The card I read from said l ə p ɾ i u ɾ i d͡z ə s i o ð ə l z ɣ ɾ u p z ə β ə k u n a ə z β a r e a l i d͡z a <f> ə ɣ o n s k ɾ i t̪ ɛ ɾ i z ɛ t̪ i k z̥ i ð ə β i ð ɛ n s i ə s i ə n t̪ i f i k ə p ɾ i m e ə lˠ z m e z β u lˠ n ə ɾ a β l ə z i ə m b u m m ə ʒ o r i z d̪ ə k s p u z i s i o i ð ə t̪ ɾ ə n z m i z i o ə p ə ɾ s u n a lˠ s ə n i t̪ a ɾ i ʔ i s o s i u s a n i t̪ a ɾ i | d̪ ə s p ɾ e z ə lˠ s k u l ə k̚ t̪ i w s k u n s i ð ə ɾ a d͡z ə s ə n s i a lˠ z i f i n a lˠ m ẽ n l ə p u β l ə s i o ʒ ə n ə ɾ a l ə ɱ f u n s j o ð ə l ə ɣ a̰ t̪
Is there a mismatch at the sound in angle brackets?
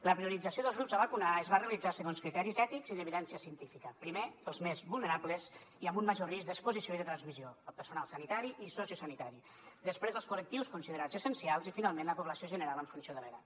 yes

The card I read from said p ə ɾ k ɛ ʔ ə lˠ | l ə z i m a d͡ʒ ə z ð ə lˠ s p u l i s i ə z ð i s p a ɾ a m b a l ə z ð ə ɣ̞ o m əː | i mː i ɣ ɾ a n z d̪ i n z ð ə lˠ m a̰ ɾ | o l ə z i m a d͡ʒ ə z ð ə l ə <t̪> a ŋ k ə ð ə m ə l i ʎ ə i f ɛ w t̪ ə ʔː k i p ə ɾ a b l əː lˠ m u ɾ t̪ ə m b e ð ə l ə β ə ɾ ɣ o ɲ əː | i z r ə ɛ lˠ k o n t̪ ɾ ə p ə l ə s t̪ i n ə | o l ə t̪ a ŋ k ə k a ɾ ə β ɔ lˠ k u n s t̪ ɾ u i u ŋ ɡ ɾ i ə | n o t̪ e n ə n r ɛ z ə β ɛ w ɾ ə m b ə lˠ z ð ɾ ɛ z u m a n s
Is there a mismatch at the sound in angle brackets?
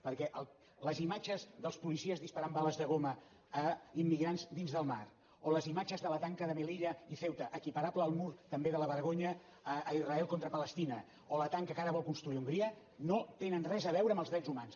no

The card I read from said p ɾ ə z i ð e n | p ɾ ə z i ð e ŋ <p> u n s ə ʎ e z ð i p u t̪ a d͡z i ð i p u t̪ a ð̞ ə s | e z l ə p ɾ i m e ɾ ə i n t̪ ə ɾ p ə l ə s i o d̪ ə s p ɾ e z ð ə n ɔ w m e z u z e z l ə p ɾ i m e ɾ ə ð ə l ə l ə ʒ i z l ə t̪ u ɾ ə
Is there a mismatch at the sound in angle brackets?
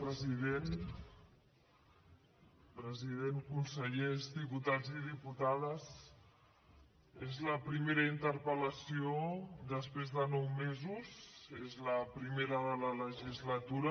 yes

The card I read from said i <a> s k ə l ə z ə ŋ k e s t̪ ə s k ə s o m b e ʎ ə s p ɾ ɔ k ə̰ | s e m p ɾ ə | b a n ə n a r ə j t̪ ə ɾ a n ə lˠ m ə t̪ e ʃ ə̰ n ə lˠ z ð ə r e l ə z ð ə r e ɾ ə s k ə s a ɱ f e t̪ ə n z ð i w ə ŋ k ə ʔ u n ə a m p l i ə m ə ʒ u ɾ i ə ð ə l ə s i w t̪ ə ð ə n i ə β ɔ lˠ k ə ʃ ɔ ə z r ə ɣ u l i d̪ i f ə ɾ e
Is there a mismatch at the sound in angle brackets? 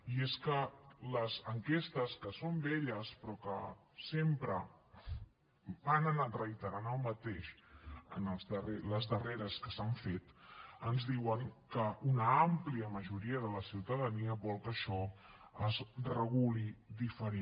yes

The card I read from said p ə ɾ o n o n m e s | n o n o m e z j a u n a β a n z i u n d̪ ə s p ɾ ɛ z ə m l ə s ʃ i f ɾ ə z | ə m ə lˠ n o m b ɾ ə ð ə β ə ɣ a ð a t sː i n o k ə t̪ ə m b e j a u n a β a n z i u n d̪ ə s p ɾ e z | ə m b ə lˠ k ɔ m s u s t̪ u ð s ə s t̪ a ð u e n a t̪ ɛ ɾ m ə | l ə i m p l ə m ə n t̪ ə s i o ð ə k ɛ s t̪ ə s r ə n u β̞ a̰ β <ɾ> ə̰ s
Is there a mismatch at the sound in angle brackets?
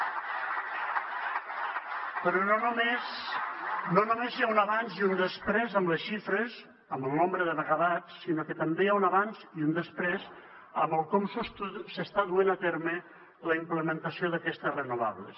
yes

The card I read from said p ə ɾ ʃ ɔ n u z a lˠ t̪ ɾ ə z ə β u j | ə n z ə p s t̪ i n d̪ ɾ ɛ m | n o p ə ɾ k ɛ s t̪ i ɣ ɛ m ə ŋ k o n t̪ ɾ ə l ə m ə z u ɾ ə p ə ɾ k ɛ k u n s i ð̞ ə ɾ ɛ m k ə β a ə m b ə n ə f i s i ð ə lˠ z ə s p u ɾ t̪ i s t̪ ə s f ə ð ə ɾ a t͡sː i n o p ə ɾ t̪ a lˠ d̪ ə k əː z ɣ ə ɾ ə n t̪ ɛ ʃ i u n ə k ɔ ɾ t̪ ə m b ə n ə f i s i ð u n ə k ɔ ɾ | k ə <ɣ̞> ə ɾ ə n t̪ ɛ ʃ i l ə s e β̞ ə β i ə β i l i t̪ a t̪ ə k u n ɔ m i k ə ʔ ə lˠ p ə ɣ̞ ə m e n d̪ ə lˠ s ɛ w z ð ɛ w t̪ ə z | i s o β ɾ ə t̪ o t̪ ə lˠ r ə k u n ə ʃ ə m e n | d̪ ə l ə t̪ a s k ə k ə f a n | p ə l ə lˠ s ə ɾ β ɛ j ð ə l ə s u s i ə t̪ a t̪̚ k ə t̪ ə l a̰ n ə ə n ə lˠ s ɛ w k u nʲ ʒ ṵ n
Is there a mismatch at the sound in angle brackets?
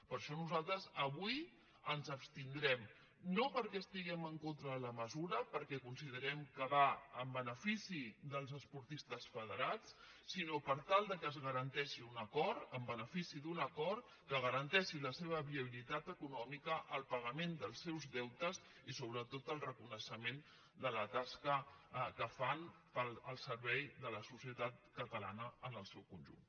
no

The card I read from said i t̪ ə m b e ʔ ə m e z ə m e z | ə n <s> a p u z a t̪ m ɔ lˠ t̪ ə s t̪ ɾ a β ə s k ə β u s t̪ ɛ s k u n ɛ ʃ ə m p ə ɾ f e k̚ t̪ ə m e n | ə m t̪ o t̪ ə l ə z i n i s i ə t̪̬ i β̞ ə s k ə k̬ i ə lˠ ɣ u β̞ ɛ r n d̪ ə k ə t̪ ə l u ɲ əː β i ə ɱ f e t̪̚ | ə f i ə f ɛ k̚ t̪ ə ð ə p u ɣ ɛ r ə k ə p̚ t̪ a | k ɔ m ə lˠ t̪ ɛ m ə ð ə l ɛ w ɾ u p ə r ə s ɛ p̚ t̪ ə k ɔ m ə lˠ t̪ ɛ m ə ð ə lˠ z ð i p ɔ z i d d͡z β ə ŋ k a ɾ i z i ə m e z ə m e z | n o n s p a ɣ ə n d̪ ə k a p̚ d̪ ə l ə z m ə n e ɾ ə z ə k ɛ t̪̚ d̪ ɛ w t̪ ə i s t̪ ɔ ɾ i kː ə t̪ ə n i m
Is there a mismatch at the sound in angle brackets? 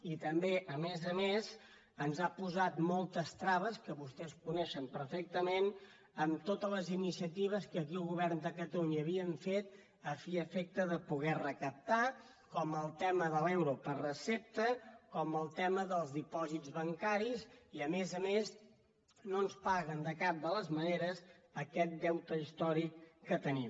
yes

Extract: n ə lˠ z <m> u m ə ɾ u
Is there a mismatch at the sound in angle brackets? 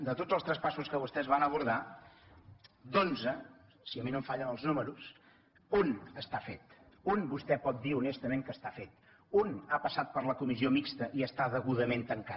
yes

